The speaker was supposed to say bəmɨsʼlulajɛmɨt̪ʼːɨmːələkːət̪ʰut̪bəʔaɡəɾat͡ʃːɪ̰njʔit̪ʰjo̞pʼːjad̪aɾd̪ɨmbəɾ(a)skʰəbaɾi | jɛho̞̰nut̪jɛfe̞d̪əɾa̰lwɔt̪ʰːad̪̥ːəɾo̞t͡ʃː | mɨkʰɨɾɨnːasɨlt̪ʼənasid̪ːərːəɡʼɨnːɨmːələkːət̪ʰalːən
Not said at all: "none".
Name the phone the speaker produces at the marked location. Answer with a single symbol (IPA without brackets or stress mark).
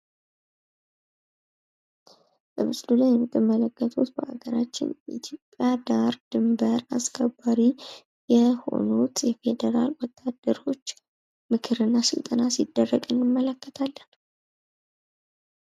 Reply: a